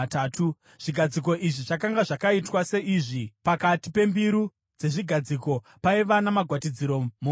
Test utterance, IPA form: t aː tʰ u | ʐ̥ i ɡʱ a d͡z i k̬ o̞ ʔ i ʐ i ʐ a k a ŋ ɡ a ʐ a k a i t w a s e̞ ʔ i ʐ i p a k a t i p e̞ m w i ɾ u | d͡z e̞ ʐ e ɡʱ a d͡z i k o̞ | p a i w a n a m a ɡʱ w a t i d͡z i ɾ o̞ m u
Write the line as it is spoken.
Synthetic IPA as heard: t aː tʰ u | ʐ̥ i ɡʱ a d͡z i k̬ o̞ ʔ i ʐ i ʐ a k a ŋ ɡ a ʐ a k a i t w a s e̞ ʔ i ʐ i p a k a t i p e̞ m b i ɾ u | d͡z e̞ ʐ i ɡʱ a d͡z i k o̞ | p a i ʋ a n a m a ɡʱ w a t i d͡z i ɾ o̞ m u